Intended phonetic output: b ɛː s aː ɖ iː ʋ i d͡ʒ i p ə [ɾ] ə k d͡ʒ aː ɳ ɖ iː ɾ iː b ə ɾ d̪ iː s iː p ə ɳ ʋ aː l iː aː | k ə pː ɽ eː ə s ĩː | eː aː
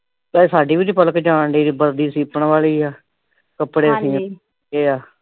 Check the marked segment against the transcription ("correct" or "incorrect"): incorrect